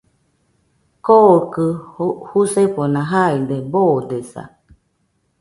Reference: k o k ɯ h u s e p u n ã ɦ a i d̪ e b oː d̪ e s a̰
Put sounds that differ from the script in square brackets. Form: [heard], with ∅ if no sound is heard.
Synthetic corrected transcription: k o k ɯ h u s e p [o] n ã ɦ a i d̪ e b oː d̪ e s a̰